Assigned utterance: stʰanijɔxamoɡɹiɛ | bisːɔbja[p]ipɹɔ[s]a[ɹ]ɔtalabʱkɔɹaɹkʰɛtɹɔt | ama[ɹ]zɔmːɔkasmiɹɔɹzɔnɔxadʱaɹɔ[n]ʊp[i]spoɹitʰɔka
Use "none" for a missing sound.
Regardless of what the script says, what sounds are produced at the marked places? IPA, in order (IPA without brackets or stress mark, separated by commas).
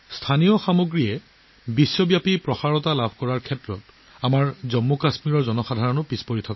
p, x, ɹ, ɹ, n, i